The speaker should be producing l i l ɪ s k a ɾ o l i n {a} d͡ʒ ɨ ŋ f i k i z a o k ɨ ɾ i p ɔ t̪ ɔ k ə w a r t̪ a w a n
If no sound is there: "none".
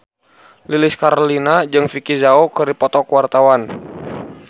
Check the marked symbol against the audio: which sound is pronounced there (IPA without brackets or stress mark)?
a